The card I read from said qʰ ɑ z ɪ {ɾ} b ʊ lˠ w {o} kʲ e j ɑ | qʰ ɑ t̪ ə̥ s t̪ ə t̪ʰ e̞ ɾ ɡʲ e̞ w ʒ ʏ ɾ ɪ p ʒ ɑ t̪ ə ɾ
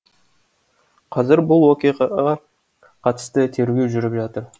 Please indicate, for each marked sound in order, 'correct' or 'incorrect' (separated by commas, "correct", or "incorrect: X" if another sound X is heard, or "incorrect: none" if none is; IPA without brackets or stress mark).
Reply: correct, correct